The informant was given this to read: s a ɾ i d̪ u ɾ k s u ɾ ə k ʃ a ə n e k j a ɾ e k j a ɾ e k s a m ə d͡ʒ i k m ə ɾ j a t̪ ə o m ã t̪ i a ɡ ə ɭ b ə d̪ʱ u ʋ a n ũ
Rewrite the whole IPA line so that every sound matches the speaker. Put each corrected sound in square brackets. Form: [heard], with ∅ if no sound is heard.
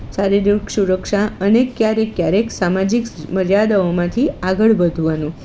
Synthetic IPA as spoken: s a ɾ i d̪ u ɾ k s u ɾ ə k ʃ a ə n e k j a ɾ e k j a ɾ e k s a m [a] d͡ʒ i k m ə ɾ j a [d̪] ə o m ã [t̪ʰ] i a ɡ ə ɭ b ə d̪ʱ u ʋ a n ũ